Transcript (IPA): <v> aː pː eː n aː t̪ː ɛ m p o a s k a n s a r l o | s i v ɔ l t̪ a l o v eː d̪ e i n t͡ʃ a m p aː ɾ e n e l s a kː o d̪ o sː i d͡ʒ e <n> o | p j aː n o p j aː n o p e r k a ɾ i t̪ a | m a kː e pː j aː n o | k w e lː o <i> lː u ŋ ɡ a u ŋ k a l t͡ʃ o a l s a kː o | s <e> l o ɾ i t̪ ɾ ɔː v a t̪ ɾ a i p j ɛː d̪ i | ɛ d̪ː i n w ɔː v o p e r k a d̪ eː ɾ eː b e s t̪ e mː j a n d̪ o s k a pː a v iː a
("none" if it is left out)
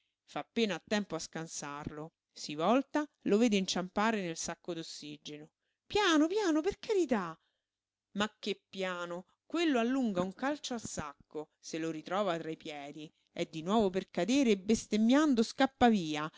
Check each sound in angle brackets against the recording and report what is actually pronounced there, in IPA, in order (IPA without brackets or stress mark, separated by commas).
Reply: f, n, a, e